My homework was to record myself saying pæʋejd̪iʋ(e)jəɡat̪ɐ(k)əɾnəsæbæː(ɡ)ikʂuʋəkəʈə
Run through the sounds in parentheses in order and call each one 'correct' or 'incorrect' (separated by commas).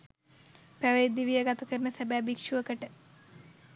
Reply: incorrect, correct, incorrect